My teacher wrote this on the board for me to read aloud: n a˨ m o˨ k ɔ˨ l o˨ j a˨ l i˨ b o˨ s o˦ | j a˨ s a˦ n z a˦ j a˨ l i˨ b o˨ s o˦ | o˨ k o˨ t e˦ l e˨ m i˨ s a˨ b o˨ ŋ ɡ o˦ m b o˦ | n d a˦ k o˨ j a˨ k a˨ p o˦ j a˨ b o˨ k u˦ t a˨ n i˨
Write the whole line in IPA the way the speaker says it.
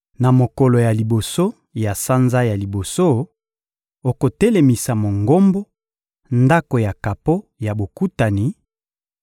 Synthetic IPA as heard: n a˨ m o˨ k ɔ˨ l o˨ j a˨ l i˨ b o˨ s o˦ | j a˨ s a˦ n z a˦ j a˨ l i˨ b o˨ s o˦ | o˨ k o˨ t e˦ l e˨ m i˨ s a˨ m o˨ ŋ ɡ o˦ m b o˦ | n d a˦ k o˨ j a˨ k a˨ p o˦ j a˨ b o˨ k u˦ t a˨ n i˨